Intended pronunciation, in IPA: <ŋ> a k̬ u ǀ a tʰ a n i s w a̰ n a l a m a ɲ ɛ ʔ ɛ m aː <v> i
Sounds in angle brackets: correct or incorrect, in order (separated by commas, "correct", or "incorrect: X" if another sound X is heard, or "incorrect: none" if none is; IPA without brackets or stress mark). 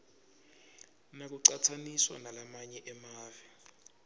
incorrect: n, correct